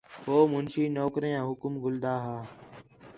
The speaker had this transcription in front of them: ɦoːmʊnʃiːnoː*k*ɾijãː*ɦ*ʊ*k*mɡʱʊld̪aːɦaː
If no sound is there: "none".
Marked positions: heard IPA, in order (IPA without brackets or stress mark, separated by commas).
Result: k, ɦ, k